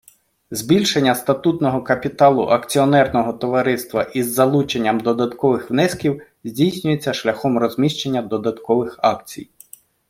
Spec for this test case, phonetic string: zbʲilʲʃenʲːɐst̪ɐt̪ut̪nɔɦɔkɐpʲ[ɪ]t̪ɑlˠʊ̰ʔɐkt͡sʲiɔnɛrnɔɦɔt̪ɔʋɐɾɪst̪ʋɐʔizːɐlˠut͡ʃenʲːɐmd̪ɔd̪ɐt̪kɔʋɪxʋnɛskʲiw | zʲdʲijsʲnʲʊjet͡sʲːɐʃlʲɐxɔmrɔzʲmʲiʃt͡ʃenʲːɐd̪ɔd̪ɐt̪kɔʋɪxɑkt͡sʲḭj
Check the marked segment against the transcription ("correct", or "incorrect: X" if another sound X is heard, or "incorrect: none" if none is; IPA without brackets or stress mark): incorrect: i